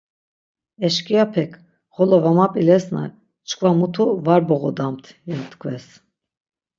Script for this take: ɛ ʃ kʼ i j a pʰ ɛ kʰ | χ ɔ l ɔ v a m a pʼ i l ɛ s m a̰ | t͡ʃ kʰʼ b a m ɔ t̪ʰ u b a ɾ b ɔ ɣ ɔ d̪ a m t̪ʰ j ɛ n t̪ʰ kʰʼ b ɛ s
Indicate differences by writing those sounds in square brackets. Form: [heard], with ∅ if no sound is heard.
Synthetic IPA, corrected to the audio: ɛ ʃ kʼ i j a pʰ ɛ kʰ | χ ɔ l ɔ v a m a pʼ i l ɛ s [n] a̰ | t͡ʃ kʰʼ [v] a m [u] t̪ʰ u [v] a ɾ b ɔ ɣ ɔ d̪ a m t̪ʰ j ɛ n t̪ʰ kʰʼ [v] ɛ s

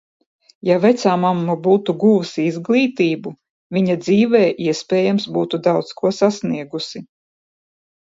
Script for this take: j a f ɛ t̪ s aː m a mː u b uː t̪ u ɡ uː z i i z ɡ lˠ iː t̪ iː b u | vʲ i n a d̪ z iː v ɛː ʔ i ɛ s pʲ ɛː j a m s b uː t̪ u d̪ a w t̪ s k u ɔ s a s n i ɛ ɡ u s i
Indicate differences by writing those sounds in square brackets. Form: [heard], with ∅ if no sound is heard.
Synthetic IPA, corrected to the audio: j a [v] ɛ t̪ s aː m a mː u b uː t̪ u ɡ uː [s] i i z ɡ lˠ iː t̪ iː b u | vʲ i [ɲ] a d̪ z iː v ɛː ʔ i ɛ s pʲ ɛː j a m s b uː t̪ u d̪ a w t̪ s k u ɔ s a s n i ɛ ɡ u s i

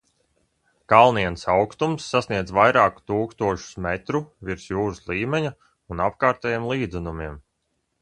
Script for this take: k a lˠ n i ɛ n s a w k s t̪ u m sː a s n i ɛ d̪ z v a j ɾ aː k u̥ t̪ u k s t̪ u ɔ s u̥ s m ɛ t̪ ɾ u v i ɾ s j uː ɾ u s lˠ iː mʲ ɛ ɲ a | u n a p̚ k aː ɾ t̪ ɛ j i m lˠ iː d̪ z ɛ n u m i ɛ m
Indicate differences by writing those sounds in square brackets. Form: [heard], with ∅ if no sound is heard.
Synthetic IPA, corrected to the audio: k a lˠ n i ɛ n s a w k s t̪ u m sː a s n i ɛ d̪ z v a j ɾ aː k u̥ t̪ [uː] k s t̪ u ɔ [ʃ] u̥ s m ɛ t̪ ɾ u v i ɾ s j uː ɾ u s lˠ iː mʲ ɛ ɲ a | u n a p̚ k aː ɾ t̪ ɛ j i m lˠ iː d̪ z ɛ n u m i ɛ m

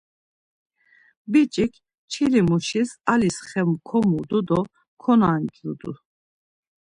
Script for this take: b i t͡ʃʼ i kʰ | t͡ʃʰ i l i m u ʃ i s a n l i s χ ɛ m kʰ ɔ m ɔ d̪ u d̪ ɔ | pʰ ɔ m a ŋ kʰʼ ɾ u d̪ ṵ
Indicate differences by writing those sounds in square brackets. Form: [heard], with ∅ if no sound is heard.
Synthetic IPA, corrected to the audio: b i t͡ʃʼ i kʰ | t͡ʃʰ i l i m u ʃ i s a [∅] l i s χ ɛ m kʰ ɔ m [u] d̪ u d̪ ɔ | [kʰ] ɔ [n] a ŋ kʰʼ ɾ u d̪ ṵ

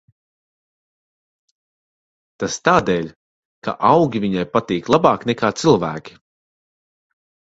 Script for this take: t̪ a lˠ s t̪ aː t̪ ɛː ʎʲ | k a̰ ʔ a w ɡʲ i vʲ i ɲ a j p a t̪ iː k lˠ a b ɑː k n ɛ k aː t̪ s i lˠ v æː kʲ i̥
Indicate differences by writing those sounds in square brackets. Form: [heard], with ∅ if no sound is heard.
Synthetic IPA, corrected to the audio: t̪ a [∅] s t̪ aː [d̪] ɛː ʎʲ | k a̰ ʔ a w ɡʲ i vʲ i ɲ a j p a t̪ iː k lˠ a b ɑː k n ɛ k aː t̪ s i lˠ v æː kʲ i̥

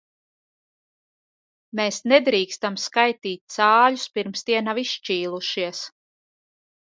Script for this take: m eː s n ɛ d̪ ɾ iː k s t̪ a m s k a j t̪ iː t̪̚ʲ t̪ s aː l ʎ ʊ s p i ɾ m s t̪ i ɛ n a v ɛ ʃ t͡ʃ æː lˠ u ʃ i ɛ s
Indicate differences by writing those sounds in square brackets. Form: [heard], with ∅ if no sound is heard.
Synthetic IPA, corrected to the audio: m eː s n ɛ d̪ ɾ iː k s t̪ a m s k a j t̪ iː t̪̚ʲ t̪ s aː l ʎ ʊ s p i ɾ m s t̪ i ɛ n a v [i] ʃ t͡ʃ [iː] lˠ u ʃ i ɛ s

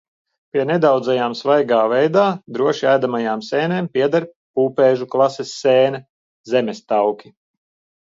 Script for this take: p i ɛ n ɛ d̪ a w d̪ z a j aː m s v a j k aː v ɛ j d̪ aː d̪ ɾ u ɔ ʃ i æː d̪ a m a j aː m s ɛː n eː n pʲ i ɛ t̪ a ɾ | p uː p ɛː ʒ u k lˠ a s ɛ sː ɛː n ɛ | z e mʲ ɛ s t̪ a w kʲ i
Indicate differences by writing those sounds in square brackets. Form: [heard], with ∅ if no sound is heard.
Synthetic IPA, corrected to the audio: p i ɛ n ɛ d̪ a w d̪ z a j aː m s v a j [ɡ] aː v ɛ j d̪ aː d̪ ɾ u ɔ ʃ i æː d̪ a m a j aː m s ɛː n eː [m] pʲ i ɛ [d̪] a ɾ | p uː p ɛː ʒ u k lˠ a s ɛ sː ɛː n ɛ | z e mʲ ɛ s t̪ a w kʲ i

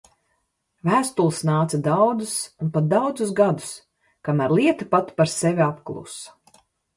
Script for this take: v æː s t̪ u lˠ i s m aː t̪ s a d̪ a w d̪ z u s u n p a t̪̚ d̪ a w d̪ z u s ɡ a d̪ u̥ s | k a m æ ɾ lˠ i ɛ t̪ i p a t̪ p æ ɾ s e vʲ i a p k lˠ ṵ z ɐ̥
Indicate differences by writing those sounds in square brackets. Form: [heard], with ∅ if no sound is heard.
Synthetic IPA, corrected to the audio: v æː s t̪ u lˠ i s [n] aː t̪ s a d̪ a w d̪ z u s u n p a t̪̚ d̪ a w d̪ z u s ɡ a d̪ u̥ s | k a m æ ɾ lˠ i ɛ t̪ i p a t̪ p [a] ɾ s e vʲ i a p k lˠ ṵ [s] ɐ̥

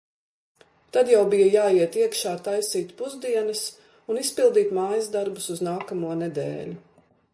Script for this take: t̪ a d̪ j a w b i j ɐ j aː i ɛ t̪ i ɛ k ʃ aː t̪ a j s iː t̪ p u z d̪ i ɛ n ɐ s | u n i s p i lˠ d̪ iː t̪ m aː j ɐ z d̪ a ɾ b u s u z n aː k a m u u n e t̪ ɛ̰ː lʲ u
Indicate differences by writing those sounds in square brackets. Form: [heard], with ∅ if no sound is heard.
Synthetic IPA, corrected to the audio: t̪ a d̪ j a w b i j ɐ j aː i ɛ t̪ i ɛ k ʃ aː t̪ a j s iː t̪ p u z d̪ i ɛ n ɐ s | u n i s p i lˠ d̪ iː t̪ m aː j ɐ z d̪ a ɾ b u s u z n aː k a m u [ɔ] n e [d̪] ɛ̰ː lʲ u

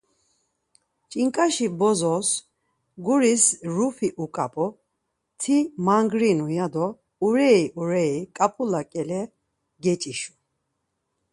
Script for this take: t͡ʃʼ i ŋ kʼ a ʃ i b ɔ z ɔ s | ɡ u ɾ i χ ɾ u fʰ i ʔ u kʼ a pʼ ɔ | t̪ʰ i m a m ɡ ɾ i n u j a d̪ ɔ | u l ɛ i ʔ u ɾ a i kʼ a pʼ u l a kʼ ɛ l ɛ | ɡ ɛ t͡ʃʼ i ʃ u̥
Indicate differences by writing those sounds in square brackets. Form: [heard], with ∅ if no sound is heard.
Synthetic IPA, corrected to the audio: t͡ʃʼ i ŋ kʼ a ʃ i b ɔ z ɔ s | ɡ u ɾ i [s] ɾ u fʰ i ʔ u kʼ a pʼ ɔ | t̪ʰ i m a [ŋ] ɡ ɾ i n u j a d̪ ɔ | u [ɾ] ɛ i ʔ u ɾ [ɛ] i kʼ a pʼ u l a kʼ ɛ l ɛ | ɡ ɛ t͡ʃʼ i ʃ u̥

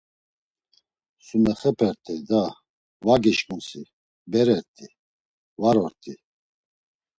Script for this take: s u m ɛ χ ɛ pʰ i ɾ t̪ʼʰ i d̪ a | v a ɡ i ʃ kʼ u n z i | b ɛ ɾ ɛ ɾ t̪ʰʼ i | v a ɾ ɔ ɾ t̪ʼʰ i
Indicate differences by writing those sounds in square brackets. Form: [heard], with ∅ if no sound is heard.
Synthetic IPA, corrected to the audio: s u [n] ɛ χ ɛ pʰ [ɛ] ɾ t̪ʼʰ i d̪ a | v a ɡ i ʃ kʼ u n [s] i | b ɛ ɾ ɛ ɾ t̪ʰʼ i | v a ɾ ɔ ɾ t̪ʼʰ i

